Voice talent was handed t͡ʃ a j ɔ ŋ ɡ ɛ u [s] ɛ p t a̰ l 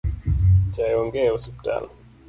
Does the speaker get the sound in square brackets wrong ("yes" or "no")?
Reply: no